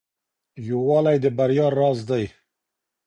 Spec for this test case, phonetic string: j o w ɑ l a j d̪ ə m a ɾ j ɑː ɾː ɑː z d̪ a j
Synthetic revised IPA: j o w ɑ l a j d̪ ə b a ɾ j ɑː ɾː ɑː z d̪ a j